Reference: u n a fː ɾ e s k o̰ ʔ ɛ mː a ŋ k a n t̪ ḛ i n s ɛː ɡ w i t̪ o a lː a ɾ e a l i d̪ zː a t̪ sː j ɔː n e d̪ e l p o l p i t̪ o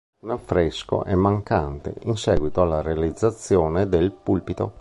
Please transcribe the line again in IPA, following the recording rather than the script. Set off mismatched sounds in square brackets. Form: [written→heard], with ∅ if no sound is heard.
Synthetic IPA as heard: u n a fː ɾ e s k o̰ ʔ ɛ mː a ŋ k a n t̪ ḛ i n s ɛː ɡ w i t̪ o a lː a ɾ e a l i d̪ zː a t̪ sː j ɔː n e d̪ e l p [o→u] l p i t̪ o